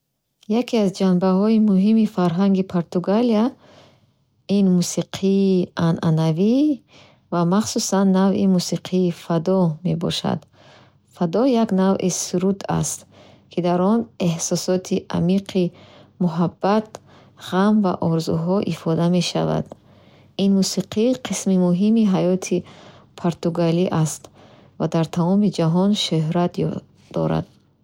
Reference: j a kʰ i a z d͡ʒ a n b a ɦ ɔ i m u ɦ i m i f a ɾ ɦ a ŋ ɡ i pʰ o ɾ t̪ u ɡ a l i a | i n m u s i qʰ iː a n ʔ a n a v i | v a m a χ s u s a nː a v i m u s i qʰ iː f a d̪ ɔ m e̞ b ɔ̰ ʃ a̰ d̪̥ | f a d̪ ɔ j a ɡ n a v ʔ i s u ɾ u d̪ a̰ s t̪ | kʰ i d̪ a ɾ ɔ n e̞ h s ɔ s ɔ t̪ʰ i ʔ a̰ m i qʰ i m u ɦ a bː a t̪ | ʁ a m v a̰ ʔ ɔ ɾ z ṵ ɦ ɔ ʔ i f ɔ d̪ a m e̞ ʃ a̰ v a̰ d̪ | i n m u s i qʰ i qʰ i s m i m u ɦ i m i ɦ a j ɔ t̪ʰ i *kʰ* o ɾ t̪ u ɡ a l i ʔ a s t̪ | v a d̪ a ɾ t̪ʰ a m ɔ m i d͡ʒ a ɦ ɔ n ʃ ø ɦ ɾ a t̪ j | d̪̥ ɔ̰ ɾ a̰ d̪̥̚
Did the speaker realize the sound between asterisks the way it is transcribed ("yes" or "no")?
no